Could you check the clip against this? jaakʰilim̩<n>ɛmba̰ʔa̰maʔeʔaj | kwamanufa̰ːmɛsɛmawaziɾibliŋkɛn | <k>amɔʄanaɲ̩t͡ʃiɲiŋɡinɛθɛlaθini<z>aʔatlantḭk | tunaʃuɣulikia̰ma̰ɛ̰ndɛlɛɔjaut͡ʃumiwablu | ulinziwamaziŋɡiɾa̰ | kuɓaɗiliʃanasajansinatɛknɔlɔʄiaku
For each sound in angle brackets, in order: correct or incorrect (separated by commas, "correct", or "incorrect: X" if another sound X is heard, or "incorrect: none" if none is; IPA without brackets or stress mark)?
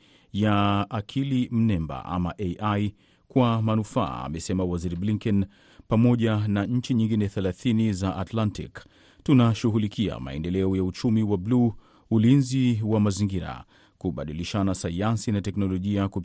correct, incorrect: p, correct